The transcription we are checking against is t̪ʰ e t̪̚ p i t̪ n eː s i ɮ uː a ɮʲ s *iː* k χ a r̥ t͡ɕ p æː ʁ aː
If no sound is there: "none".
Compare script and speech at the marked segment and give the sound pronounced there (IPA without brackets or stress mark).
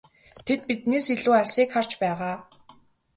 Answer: iː